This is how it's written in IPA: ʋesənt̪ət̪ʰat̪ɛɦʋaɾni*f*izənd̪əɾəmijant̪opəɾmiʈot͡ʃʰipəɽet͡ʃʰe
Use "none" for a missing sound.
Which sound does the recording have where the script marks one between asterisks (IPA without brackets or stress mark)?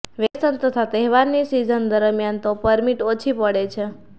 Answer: s